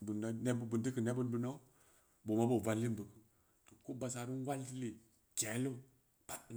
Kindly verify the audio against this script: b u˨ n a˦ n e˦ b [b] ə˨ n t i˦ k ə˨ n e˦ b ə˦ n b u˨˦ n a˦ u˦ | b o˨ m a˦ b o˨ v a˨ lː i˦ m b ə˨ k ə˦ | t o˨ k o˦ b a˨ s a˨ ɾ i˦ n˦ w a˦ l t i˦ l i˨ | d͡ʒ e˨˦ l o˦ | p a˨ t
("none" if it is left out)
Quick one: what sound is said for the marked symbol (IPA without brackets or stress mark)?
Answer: b